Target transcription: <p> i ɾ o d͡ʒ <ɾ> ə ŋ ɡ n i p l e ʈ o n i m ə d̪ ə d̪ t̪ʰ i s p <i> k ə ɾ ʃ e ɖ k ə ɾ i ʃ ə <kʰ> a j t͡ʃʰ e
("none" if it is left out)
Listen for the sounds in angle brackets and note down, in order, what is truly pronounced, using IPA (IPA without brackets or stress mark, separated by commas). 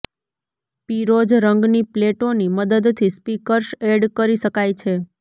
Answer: p, ɾ, i, k